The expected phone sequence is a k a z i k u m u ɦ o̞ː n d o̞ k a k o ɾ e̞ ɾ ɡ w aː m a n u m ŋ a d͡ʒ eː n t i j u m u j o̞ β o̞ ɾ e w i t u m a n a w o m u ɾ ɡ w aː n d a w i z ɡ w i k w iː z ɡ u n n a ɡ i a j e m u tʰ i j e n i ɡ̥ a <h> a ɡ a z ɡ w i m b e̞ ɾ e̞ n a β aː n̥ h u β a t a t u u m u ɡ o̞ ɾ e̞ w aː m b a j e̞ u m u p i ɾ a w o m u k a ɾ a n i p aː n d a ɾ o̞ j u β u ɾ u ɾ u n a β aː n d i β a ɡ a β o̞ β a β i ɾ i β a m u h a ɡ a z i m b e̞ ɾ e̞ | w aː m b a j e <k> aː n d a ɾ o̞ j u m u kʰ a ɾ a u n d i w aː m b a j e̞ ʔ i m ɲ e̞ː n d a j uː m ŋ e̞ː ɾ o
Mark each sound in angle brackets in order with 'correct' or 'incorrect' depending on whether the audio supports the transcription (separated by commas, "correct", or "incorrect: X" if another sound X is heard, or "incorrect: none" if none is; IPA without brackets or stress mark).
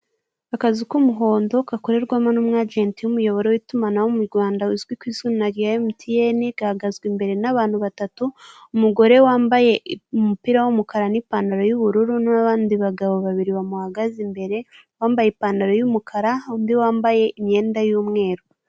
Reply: correct, incorrect: p